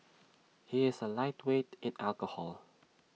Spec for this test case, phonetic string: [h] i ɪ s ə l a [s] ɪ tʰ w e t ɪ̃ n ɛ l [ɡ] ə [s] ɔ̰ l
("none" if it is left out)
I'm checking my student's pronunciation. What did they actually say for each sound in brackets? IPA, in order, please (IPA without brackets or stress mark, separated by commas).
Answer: h, none, k, h